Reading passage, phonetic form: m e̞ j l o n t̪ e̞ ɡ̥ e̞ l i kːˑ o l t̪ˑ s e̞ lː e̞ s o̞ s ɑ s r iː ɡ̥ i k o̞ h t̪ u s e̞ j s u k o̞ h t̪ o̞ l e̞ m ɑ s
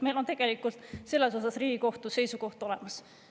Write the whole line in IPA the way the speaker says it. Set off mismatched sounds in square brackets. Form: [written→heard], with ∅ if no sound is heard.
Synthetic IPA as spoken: m e̞ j l o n t̪ e̞ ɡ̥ e̞ l i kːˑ [o→u] l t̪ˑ s e̞ lː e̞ s o̞ s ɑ s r iː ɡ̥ i k o̞ h t̪ u s e̞ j s u k o̞ h t̪ o̞ l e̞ m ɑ s